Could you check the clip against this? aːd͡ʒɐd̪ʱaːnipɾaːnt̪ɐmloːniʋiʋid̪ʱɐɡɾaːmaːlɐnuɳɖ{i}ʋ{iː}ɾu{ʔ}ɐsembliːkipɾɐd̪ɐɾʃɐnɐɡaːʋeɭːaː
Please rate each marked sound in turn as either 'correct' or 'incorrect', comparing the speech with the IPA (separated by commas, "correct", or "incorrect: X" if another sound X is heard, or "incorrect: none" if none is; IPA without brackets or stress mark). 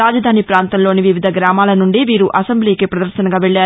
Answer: correct, correct, correct